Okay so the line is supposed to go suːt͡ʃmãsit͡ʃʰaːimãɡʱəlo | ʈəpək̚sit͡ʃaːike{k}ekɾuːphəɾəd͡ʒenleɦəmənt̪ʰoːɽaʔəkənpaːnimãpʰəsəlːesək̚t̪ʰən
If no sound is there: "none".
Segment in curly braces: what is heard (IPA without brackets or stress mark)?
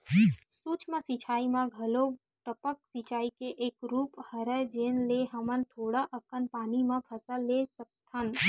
ʔ